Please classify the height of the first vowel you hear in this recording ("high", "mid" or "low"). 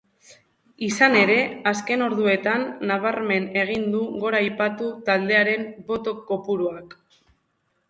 high